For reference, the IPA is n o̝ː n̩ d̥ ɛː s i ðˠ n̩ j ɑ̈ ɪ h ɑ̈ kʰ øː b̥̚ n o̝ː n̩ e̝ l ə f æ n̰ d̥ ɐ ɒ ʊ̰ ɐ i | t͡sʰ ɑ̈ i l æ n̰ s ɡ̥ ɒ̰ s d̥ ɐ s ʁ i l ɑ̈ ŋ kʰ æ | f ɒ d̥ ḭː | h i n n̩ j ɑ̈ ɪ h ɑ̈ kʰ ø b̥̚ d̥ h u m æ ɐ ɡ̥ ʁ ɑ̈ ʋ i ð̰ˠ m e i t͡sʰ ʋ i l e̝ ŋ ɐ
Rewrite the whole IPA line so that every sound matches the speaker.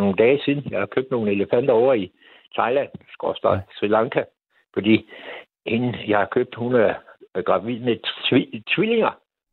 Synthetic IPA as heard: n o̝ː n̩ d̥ ɛː s i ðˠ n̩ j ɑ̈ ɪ h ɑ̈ kʰ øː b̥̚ n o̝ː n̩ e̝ l ə f æ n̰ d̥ ɐ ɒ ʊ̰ ɐ i | t͡sʰ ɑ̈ ɪ l æ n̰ s ɡ̥ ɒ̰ s d̥ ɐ s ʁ i l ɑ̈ ŋ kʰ æ | f ɒ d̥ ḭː | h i n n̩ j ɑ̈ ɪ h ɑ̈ kʰ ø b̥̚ d̥ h u n æ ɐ ɡ̥ ʁ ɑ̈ ʋ i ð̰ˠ m e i t͡sʰ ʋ i l e̝ ŋ ɐ